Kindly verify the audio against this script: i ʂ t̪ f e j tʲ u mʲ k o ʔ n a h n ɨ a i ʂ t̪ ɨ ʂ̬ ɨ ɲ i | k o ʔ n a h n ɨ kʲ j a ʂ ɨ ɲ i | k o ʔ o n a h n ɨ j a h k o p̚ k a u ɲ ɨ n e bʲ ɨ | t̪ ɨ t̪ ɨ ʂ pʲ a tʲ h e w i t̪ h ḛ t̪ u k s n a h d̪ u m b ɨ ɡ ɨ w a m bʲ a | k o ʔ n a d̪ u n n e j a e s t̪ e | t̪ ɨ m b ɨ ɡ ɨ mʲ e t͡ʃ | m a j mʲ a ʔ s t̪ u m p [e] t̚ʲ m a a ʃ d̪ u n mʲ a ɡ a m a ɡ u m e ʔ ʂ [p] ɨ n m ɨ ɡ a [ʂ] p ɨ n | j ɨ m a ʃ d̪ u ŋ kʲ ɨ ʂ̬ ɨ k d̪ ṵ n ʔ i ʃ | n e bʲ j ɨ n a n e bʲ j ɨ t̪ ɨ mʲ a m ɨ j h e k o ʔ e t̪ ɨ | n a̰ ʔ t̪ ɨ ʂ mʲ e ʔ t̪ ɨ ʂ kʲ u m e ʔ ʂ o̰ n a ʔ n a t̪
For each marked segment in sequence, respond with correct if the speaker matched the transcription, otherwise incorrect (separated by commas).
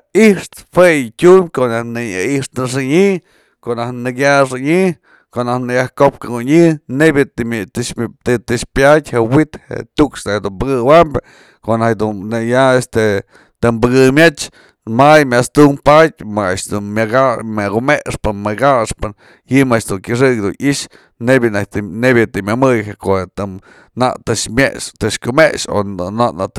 incorrect, correct, correct